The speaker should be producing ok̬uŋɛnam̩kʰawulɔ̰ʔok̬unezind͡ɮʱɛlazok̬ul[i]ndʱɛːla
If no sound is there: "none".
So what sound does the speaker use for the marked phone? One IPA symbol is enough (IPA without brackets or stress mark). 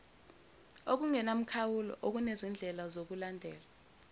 a